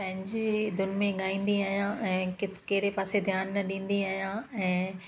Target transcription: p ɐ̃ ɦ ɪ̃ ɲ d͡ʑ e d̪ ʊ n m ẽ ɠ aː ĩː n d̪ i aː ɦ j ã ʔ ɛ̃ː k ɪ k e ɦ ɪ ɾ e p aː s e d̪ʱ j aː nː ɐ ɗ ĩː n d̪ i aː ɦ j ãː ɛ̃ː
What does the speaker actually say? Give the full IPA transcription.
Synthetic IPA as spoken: p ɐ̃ ɦ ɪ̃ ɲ d͡ʑ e d̪ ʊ n m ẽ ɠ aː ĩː n d̪ i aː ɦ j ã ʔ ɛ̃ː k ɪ k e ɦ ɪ ɾ e p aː s e d̪ʱ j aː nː ɐ ɗ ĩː n d̪ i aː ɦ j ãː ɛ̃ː